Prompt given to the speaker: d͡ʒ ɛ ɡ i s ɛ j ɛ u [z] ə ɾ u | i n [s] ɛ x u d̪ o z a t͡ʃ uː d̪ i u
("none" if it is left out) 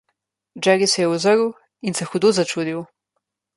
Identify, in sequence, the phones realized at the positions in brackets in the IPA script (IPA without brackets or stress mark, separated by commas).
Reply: z, s